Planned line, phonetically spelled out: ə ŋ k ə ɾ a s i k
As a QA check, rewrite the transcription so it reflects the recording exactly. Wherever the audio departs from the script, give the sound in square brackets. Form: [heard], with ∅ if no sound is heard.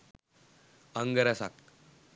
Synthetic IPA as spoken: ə ŋ [ɡ] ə ɾ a s [a] k